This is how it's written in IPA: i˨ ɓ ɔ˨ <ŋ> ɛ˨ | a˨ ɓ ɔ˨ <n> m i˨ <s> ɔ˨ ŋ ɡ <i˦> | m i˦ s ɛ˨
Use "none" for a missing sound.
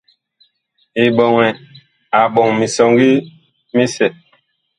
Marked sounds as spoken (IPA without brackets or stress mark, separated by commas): ŋ, ŋ, s, i˦